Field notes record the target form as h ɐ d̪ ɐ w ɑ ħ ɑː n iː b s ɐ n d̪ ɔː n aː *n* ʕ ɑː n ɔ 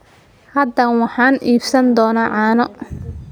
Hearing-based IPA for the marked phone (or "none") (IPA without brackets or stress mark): none